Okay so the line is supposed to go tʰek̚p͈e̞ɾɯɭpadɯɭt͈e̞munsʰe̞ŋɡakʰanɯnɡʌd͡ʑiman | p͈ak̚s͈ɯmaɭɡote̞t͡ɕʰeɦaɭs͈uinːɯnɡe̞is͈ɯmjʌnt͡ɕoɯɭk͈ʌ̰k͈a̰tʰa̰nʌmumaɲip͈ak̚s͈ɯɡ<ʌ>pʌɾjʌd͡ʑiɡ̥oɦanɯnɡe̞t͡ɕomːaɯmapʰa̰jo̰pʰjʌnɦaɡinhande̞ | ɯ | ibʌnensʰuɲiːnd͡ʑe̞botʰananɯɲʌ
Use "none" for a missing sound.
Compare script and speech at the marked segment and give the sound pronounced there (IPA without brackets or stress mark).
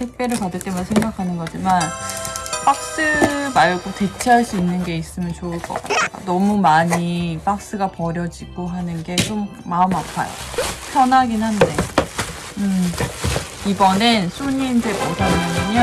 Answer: a